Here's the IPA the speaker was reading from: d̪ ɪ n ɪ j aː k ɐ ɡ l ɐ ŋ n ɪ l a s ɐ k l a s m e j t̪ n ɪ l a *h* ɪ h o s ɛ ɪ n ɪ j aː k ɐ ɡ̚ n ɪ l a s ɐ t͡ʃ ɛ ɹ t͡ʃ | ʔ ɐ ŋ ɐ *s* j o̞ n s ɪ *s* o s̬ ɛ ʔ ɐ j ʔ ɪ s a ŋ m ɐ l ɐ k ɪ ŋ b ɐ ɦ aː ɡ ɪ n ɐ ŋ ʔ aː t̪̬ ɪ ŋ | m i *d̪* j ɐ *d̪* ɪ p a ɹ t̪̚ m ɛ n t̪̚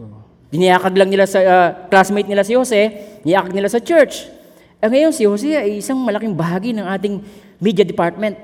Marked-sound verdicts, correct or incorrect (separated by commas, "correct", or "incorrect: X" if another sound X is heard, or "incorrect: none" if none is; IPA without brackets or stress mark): incorrect: s, incorrect: none, incorrect: h, correct, correct